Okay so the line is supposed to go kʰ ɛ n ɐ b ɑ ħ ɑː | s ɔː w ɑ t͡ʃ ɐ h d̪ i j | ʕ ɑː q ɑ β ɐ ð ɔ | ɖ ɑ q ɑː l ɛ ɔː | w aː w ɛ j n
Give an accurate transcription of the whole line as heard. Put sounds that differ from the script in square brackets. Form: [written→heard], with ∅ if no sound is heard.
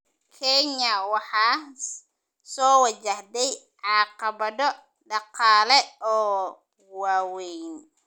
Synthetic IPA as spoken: kʰ ɛ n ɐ [b→w] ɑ ħ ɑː | s ɔː w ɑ t͡ʃ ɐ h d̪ [i→ɛ] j | ʕ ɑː q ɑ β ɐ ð ɔ | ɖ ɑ q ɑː l ɛ ɔː | w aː w ɛ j n